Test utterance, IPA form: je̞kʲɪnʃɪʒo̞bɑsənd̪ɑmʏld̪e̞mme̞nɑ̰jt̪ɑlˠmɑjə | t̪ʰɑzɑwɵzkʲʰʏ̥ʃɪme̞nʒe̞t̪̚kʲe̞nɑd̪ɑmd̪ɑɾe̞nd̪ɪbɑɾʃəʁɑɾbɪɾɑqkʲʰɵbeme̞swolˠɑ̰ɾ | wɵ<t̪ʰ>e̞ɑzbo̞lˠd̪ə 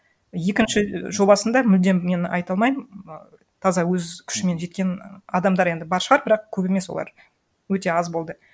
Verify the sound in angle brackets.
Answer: incorrect: t̪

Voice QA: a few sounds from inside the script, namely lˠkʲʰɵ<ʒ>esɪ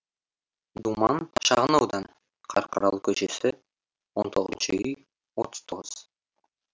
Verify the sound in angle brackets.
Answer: incorrect: ʃ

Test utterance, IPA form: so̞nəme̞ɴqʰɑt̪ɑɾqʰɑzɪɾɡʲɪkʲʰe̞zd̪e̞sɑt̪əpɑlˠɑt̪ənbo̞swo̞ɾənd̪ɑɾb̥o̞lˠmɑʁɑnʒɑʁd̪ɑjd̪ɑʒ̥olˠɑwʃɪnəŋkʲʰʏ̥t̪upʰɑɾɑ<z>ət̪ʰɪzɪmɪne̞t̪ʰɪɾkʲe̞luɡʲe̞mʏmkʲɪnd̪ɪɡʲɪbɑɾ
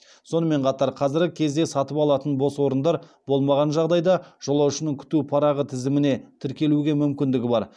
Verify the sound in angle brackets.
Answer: incorrect: ʁ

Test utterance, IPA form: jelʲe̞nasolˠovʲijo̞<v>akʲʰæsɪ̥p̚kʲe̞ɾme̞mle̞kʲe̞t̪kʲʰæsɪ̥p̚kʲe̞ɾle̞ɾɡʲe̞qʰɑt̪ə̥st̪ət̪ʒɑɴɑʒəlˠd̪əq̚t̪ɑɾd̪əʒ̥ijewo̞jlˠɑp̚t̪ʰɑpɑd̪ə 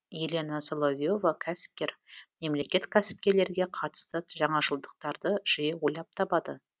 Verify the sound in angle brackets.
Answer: correct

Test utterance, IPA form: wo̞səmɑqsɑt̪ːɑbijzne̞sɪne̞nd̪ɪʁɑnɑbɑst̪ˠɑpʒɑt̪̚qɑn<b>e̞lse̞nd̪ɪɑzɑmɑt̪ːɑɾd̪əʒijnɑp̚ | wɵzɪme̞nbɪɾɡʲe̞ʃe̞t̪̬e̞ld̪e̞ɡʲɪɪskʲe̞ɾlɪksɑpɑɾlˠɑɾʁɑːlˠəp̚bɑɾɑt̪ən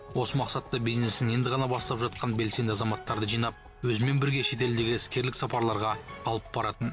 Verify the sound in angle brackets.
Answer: correct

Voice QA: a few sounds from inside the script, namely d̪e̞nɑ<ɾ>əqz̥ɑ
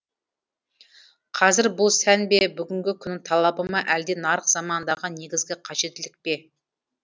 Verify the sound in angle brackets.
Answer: correct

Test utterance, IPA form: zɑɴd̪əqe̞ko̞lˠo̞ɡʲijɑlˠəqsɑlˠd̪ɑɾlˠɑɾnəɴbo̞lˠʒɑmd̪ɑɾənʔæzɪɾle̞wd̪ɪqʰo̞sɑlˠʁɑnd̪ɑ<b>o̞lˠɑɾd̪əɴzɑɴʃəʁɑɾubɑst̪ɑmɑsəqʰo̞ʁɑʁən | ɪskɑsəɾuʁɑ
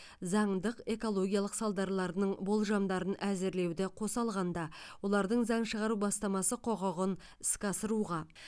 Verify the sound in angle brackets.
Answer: incorrect: w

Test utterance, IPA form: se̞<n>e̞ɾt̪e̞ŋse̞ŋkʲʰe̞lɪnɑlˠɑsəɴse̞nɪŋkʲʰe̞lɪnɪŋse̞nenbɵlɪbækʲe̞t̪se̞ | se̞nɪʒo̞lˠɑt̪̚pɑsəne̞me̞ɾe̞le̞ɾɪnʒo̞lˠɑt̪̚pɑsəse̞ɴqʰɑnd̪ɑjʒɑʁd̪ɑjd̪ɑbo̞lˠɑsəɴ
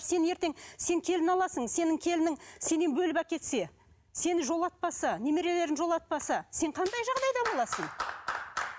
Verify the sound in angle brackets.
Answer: correct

